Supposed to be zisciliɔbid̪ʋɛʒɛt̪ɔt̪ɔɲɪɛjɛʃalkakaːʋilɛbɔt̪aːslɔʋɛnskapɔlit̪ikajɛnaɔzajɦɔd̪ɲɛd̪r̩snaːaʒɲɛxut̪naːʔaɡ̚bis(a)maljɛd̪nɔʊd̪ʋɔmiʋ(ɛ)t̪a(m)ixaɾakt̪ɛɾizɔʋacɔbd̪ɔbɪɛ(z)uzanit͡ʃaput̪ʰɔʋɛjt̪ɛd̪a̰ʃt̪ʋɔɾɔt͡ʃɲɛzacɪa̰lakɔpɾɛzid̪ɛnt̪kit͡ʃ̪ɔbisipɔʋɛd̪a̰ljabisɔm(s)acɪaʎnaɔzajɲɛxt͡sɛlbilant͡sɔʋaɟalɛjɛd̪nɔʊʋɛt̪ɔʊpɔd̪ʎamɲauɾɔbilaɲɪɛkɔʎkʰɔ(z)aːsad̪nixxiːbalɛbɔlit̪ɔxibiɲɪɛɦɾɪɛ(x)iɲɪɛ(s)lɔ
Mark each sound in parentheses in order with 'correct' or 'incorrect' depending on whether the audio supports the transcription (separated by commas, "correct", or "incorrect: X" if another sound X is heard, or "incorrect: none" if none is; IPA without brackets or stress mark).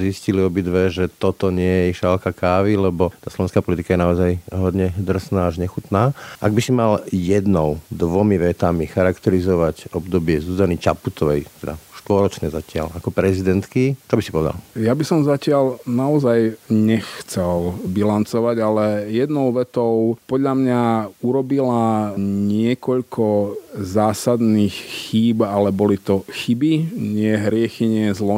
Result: incorrect: i, correct, correct, correct, incorrect: z, correct, correct, incorrect: z